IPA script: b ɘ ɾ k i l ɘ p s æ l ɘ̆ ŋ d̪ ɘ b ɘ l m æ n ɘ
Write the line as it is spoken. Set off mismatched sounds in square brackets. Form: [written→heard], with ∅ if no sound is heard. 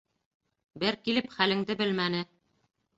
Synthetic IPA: b ɘ ɾ k i l ɘ p [s→χ] æ l ɘ̆ ŋ d̪ ɘ b ɘ l m æ n ɘ